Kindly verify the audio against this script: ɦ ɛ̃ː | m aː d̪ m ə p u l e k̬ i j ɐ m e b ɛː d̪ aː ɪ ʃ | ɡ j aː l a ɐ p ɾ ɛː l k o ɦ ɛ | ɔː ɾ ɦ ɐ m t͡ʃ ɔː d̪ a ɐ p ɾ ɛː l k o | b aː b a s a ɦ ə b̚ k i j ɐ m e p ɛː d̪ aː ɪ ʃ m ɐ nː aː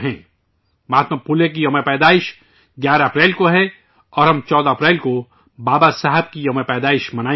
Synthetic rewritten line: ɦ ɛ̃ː | m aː t̪ m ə p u l e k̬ i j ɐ m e p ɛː d̪ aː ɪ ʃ | ɡ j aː ɾ a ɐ p ɾ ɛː l k o ɦ ɛ | ɔː ɾ ɦ ɐ m t͡ʃ ɔː d̪ a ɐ p ɾ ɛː l k o | b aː b a s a ɦ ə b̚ k i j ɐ m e p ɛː d̪ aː ɪ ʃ m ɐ n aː